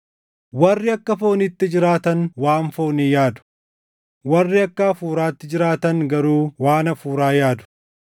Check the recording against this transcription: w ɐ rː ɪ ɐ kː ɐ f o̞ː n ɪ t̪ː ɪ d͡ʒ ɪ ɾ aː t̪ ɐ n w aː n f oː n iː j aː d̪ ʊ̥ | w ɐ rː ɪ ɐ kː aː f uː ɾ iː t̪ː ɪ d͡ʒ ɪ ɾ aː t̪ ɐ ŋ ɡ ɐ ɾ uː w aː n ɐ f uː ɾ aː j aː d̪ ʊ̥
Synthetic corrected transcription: w ɐ rː ɪ ɐ kː ɐ f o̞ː n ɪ t̪ː ɪ d͡ʒ ɪ ɾ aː t̪ ɐ n w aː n f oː n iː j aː d̪ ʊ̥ | w ɐ rː ɪ ɐ kː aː f uː ɾ aː t̪ː ɪ d͡ʒ ɪ ɾ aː t̪ ɐ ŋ ɡ ɐ ɾ uː w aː n ɐ f uː ɾ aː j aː d̪ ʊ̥